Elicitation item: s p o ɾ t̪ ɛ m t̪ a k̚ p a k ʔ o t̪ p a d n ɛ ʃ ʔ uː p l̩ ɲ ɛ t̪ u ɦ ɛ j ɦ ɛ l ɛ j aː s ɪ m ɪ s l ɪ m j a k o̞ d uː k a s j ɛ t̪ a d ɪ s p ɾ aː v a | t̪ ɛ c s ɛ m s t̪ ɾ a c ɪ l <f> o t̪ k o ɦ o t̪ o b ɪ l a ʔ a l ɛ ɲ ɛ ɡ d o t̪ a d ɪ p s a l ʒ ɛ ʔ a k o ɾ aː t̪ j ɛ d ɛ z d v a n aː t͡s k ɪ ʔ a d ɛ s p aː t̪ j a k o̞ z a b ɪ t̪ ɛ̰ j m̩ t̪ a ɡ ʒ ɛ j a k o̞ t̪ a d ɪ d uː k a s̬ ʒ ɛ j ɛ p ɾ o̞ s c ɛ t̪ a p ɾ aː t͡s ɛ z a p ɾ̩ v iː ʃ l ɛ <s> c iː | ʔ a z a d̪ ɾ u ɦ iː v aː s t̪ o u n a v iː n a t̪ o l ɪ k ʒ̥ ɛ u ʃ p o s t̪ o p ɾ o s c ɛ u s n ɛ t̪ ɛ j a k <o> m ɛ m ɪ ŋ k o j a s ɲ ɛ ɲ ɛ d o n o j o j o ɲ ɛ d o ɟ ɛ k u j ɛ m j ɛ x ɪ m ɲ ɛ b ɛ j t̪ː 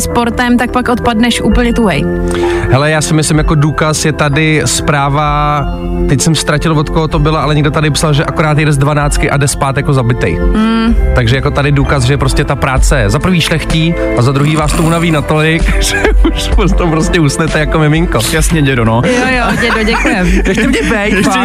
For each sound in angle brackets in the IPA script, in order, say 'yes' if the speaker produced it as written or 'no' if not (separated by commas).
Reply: no, no, yes